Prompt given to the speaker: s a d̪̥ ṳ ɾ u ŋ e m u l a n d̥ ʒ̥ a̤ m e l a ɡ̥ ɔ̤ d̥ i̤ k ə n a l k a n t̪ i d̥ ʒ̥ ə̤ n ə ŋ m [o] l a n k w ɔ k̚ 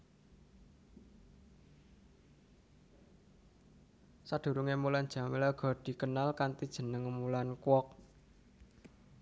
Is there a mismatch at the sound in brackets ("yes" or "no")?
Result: yes